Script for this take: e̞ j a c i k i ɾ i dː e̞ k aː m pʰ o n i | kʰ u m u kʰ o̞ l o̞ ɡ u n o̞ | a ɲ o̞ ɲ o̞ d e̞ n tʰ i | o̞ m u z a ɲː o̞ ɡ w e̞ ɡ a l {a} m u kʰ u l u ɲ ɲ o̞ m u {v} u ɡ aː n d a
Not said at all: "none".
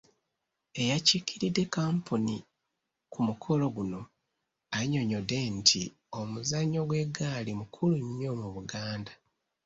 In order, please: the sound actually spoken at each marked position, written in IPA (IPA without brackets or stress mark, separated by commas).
i, β